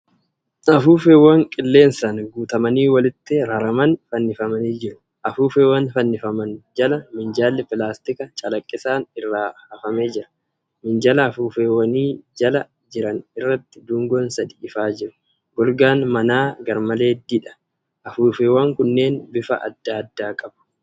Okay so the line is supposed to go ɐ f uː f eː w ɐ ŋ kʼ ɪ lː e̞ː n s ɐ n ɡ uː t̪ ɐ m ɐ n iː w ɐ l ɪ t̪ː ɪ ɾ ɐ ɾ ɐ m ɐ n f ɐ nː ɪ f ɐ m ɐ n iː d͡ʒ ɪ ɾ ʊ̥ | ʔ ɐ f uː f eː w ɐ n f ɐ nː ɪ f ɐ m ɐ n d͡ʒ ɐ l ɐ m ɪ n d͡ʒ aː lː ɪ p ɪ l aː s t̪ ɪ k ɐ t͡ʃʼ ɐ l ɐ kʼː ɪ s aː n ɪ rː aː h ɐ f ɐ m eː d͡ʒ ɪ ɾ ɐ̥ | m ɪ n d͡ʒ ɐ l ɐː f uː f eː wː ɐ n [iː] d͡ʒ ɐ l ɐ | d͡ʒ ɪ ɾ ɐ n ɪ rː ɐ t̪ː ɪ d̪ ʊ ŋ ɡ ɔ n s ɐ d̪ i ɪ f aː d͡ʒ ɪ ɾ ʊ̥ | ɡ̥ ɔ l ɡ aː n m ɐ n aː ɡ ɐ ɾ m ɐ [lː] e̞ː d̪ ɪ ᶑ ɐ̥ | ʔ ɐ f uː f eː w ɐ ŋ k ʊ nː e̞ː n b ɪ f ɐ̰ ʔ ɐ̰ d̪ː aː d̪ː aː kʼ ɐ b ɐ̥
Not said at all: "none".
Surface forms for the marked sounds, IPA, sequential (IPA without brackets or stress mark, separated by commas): iː, l